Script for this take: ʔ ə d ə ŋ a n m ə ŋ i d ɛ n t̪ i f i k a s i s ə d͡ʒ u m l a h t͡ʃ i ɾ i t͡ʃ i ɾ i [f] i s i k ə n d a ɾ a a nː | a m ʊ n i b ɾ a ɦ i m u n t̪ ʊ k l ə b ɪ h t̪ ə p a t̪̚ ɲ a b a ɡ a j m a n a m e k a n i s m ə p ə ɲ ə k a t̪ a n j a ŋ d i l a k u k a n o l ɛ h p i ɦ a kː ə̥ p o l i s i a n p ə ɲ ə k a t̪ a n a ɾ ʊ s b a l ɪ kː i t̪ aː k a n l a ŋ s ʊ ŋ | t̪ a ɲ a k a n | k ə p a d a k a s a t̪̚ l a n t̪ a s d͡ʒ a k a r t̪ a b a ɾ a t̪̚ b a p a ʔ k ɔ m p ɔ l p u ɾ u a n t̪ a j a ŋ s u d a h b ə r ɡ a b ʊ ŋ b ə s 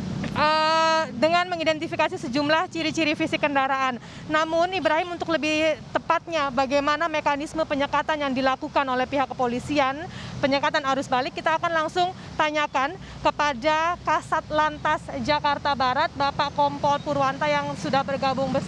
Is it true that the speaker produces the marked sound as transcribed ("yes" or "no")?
yes